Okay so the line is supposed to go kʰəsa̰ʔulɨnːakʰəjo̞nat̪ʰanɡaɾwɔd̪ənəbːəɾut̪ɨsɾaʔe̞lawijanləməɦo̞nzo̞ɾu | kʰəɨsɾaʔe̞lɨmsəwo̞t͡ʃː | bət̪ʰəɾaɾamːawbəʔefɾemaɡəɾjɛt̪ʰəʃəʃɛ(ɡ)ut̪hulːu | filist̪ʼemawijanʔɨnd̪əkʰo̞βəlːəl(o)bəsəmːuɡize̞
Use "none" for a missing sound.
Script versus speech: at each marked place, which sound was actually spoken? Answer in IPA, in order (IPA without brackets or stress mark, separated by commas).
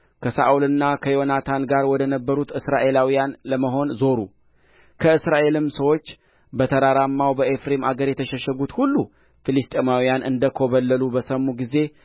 ɡ, u